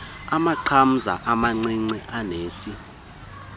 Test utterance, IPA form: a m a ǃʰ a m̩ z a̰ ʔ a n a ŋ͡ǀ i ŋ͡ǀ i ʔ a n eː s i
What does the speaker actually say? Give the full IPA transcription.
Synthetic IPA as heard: a m a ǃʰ a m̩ z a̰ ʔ a m a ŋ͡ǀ i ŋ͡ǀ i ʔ a n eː s i